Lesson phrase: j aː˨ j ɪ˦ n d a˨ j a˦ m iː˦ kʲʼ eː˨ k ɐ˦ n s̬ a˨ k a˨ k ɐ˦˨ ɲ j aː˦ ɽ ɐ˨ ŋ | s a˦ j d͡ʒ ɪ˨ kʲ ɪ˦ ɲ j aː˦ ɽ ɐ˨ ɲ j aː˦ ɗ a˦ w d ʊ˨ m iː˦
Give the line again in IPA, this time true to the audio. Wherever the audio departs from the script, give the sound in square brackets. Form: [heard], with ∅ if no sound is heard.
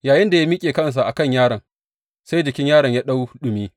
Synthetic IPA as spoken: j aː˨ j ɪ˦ n d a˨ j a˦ m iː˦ kʲʼ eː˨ k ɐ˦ n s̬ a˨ [ʔ] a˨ k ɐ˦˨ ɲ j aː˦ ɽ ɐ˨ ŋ | s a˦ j d͡ʒ ɪ˨ kʲ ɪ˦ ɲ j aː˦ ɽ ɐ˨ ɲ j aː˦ ɗ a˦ w [ɗ] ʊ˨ m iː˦